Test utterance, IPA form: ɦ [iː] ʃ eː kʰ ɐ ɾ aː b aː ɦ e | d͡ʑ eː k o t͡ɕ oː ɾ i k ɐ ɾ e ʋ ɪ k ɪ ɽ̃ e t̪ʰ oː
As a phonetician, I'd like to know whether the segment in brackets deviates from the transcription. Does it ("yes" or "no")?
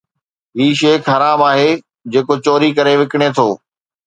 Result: no